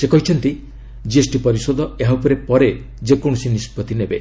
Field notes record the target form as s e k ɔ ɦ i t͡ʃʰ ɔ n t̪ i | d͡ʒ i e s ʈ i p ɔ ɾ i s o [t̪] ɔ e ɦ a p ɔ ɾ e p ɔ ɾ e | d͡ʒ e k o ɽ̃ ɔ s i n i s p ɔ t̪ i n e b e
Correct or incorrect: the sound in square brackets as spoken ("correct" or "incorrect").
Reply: incorrect